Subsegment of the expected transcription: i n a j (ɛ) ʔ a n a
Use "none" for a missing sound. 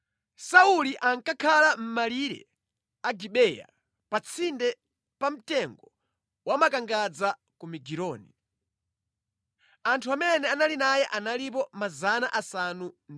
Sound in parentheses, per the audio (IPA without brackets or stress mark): ɛ